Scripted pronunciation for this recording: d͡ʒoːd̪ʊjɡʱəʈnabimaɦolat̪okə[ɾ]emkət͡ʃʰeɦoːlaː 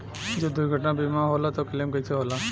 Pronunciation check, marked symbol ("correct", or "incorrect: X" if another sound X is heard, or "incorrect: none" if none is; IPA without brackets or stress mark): incorrect: l